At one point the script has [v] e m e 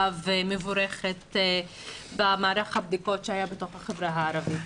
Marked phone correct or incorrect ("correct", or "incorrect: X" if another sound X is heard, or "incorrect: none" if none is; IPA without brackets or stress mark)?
correct